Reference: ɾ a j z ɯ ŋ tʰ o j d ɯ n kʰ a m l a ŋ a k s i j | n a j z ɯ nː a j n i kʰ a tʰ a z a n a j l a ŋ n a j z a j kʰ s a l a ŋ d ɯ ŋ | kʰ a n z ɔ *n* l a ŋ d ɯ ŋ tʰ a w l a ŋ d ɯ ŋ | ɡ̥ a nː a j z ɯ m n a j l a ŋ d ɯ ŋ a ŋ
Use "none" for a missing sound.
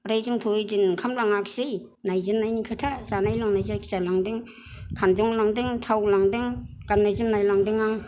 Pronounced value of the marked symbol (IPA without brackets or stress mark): ŋ